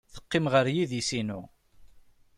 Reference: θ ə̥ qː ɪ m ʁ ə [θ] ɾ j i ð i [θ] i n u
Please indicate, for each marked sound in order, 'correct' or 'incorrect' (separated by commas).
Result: incorrect, incorrect